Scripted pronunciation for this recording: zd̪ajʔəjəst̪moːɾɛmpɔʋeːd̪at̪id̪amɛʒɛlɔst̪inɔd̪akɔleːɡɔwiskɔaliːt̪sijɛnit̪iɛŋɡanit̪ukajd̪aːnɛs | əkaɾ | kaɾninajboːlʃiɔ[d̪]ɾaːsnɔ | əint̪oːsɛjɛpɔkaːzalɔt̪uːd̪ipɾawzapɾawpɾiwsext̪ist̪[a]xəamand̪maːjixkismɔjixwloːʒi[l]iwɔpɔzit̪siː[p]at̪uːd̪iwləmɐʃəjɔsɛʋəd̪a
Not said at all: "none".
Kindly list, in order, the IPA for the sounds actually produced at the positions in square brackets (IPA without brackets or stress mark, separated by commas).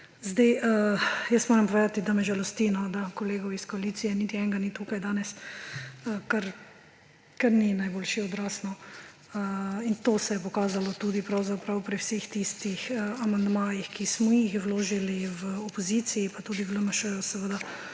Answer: d̪, i, l, p